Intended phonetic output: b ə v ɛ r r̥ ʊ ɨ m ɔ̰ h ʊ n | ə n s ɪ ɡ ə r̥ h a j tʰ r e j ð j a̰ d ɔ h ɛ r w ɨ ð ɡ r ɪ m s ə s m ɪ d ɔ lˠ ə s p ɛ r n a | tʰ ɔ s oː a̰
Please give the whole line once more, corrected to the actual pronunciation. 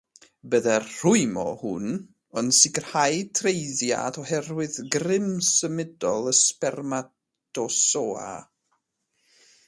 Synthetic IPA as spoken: b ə ð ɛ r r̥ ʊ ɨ m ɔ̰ h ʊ n | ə n s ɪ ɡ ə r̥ h a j tʰ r e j ð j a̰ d ɔ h ɛ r w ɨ ð ɡ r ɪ m s ə m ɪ d ɔ lˠ ə s p ɛ r m a | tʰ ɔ s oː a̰